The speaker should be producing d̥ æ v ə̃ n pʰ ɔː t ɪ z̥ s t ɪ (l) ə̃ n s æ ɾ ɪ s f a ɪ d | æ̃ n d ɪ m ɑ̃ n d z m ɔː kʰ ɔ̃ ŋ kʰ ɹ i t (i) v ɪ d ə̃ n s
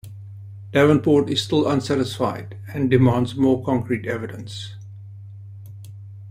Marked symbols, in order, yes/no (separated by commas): yes, no